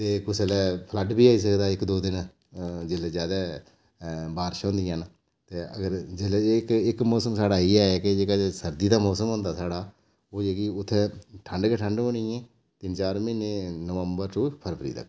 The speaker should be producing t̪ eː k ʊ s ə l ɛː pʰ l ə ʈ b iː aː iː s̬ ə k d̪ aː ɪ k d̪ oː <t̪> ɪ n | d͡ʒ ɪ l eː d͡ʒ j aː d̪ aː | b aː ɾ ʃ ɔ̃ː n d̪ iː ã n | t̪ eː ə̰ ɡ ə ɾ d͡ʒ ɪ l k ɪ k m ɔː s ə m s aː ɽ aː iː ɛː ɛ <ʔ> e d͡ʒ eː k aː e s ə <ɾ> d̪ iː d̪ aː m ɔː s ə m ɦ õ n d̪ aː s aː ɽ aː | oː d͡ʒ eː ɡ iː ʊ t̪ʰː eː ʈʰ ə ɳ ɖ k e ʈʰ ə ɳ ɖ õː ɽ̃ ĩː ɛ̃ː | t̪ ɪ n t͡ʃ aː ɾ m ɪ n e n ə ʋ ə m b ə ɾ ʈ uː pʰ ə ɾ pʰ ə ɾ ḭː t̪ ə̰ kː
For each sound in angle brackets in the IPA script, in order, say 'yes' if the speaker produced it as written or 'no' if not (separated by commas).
no, no, yes